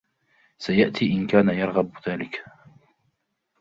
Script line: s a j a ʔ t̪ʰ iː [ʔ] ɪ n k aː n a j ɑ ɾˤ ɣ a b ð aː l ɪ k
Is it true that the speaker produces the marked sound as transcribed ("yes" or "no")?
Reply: yes